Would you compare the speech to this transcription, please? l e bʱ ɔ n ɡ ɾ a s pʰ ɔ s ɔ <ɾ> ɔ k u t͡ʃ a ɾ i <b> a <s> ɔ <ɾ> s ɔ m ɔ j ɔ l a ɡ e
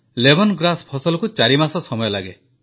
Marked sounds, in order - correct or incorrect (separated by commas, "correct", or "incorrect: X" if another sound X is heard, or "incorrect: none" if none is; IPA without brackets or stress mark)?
incorrect: l, incorrect: m, correct, incorrect: none